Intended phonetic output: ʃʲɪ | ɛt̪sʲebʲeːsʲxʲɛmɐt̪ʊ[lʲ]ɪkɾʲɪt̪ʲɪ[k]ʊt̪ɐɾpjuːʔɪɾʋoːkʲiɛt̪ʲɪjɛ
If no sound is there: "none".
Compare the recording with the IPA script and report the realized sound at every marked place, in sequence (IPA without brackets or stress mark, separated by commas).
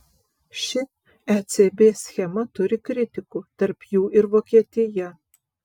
ɾʲ, k